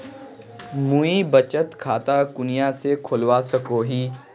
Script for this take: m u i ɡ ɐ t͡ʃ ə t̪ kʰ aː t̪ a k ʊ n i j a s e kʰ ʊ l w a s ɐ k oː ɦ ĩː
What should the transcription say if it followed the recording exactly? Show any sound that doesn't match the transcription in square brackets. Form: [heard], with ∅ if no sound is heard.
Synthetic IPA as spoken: m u i [b] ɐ t͡ʃ ə t̪ kʰ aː t̪ a k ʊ n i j a s e kʰ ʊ l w a s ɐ k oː ɦ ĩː